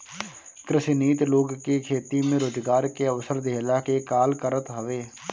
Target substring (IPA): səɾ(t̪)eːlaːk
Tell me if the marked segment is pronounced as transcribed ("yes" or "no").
no